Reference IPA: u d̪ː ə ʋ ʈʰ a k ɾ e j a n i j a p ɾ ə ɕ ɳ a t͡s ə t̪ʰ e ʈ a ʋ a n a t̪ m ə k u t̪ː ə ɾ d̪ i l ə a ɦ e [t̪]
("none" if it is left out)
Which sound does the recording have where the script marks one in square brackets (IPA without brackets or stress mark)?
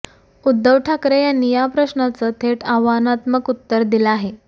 none